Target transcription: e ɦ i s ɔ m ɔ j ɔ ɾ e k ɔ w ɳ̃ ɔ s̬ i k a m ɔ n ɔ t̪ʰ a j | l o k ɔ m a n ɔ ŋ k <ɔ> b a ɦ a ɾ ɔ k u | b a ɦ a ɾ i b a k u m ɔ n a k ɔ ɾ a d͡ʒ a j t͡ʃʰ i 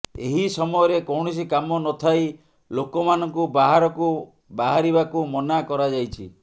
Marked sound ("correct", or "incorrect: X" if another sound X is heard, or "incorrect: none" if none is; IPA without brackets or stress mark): incorrect: u